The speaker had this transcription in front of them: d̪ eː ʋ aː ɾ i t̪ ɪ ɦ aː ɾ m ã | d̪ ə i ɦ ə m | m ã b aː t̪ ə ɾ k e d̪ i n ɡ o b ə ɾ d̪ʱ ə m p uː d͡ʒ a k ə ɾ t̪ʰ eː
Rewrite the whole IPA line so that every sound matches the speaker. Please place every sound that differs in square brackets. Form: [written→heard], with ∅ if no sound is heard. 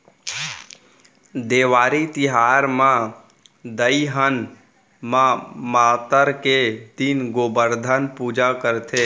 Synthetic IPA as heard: d̪ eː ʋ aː ɾ i t̪ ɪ ɦ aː ɾ m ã | d̪ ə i ɦ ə [m→n] | m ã [b→m] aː t̪ ə ɾ k e d̪ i n ɡ o b ə ɾ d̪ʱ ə [m→n] p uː d͡ʒ a k ə ɾ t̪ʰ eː

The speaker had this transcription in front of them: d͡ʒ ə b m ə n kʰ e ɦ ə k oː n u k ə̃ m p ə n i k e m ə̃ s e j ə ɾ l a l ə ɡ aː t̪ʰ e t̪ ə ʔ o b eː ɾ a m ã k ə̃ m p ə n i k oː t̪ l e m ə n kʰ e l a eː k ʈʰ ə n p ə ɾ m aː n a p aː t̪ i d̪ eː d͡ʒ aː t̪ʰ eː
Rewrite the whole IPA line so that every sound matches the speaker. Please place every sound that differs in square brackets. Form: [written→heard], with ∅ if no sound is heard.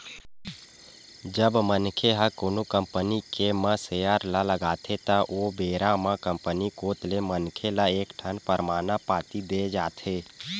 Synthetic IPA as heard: d͡ʒ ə b m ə n kʰ e ɦ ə k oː n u k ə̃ m p ə n i k e m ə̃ s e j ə ɾ l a l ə ɡ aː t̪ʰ e t̪ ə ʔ o b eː ɾ a m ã k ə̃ m p ə n i k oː t̪ l e m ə n kʰ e l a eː k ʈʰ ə n p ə ɾ m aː n a p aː t̪ i d̪ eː d͡ʒ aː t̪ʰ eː

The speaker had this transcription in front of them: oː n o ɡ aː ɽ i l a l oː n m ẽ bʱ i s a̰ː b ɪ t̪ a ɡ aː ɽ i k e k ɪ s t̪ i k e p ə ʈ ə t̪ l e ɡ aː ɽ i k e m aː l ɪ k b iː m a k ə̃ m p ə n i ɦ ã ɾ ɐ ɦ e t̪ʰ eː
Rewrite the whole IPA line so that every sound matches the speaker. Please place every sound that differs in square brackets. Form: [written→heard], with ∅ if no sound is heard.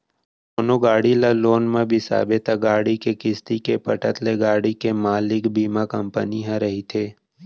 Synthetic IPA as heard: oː n o ɡ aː ɽ i l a l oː n m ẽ bʱ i s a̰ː b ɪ t̪ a ɡ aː ɽ i k e k ɪ s t̪ i k e p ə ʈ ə t̪ l e ɡ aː ɽ i k e m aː l ɪ k b iː m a k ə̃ m p ə n i ɦ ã ɾ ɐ ɦ [e→i] t̪ʰ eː

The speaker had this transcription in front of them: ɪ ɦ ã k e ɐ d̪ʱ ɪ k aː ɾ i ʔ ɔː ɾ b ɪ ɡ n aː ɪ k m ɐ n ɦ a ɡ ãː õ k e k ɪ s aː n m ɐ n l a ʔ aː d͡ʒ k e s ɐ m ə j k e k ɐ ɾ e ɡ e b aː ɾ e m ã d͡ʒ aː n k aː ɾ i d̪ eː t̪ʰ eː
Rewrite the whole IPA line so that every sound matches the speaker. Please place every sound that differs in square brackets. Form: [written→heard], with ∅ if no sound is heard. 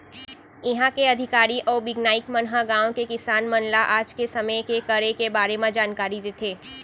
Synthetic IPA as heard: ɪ ɦ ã k e ɐ d̪ʱ ɪ k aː ɾ i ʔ ɔː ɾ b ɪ ɡ n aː ɪ k m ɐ n ɦ a ɡ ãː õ k e k ɪ s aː n m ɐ n l a ʔ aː d͡ʒ k e s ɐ m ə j k e k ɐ ɾ e [ɡ→k] e b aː ɾ e m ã d͡ʒ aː n k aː ɾ i d̪ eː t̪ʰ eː

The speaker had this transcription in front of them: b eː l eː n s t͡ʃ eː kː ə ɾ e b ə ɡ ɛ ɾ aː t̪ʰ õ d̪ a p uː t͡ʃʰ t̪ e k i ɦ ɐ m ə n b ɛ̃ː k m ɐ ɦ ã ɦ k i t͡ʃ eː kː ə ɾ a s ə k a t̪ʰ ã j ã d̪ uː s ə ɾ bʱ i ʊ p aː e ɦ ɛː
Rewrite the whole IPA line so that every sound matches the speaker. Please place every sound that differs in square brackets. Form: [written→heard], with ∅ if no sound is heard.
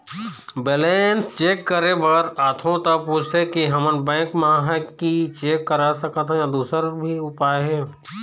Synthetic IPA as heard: b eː l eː n s t͡ʃ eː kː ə ɾ e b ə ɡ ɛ ɾ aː t̪ʰ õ [d̪→t̪] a p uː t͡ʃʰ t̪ e k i ɦ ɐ m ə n b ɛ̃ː k m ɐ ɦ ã ɦ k i t͡ʃ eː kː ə ɾ a s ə k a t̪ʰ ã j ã d̪ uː s ə ɾ bʱ i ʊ p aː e ɦ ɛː

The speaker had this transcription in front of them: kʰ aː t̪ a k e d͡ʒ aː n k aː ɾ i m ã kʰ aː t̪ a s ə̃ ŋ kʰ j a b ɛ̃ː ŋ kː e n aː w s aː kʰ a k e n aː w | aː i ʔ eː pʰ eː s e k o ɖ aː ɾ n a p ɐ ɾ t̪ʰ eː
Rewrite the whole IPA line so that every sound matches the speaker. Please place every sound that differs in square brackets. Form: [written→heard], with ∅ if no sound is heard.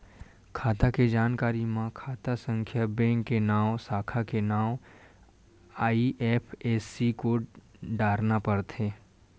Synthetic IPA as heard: kʰ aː t̪ a k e d͡ʒ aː n k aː ɾ i m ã kʰ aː t̪ a s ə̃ ŋ kʰ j a b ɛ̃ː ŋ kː e n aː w s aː kʰ a k e n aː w | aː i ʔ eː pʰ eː s [e→i] k o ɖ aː ɾ n a p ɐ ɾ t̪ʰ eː

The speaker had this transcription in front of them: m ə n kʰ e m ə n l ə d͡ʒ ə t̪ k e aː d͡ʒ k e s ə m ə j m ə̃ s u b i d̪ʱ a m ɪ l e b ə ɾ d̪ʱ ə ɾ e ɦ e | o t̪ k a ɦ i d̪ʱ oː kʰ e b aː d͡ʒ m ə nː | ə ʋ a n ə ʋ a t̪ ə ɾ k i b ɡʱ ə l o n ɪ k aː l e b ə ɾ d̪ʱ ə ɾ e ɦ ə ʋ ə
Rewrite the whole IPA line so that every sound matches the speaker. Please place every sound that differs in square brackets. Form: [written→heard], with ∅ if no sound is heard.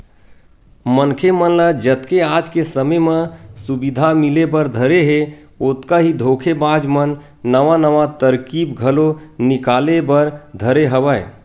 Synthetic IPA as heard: m ə n kʰ e m ə n l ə d͡ʒ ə t̪ k e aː d͡ʒ k e s ə m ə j m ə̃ s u b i d̪ʱ a m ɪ l e b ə ɾ d̪ʱ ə ɾ e ɦ e | o t̪ k a ɦ i d̪ʱ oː kʰ e b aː d͡ʒ m ə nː | ə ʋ a n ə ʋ a t̪ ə ɾ k i b ɡʱ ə l o n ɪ k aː l e b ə ɾ d̪ʱ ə ɾ e ɦ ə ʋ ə

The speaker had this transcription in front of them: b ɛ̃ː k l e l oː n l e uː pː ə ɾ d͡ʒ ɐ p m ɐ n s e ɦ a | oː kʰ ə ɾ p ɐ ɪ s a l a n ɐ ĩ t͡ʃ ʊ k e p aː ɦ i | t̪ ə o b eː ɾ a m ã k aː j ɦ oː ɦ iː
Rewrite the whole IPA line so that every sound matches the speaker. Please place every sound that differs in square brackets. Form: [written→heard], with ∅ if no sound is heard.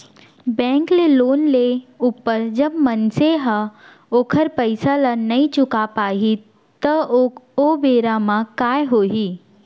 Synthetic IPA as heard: b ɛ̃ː k l e l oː n l e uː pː ə ɾ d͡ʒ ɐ [p→b] m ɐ n s e ɦ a | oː kʰ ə ɾ p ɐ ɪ s a l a n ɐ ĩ t͡ʃ ʊ k [e→a] p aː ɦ i | t̪ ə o b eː ɾ a m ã k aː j ɦ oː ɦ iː

